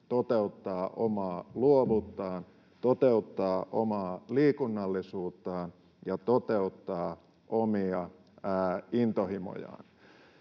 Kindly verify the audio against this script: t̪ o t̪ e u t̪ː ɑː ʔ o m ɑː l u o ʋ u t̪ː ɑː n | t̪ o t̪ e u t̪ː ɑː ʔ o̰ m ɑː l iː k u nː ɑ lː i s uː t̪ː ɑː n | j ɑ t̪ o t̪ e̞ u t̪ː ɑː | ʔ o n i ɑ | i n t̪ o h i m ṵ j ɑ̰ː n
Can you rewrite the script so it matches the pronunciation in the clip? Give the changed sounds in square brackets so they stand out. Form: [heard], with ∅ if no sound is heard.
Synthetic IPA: t̪ o t̪ e u t̪ː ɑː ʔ o m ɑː l u o ʋ u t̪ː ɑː n | t̪ o t̪ e u t̪ː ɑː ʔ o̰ m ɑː l iː k u nː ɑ lː i s uː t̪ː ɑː n | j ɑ t̪ o t̪ e̞ u t̪ː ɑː | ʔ o [m] i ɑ | i n t̪ o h i m [o̰] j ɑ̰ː n